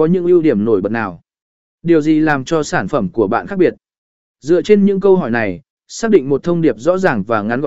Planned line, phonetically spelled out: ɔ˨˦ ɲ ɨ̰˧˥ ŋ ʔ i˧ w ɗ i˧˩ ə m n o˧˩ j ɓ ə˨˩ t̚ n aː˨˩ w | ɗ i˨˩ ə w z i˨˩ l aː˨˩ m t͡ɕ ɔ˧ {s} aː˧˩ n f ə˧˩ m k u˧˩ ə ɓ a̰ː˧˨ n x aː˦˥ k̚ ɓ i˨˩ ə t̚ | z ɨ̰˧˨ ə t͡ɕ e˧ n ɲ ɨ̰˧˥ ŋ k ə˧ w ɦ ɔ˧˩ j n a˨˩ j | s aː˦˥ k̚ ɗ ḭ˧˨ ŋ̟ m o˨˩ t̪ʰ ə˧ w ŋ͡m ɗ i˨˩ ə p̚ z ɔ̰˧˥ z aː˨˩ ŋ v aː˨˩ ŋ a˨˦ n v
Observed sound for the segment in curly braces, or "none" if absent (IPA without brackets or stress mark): s